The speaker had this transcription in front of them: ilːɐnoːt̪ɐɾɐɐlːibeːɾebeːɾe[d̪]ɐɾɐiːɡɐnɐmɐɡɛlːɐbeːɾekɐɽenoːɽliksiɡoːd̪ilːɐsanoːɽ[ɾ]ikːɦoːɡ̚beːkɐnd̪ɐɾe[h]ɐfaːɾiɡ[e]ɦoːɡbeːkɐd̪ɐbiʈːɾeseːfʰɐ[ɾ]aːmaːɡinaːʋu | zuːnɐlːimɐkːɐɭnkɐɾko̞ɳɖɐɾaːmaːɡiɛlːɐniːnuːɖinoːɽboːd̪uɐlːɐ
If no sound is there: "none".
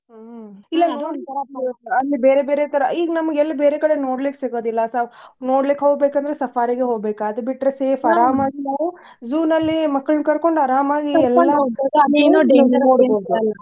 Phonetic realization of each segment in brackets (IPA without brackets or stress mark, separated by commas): t̪, l, s, e, ɾ